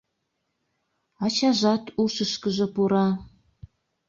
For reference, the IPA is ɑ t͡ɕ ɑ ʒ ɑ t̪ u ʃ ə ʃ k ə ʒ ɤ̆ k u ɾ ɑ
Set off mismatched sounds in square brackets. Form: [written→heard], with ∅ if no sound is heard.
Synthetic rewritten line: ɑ t͡ɕ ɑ ʒ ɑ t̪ u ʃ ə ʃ k ə ʒ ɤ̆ [k→p] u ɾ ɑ